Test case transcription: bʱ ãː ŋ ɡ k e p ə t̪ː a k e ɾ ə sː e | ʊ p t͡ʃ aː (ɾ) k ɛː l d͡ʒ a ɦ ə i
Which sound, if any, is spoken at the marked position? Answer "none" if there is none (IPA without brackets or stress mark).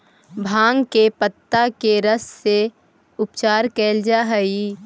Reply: ɾ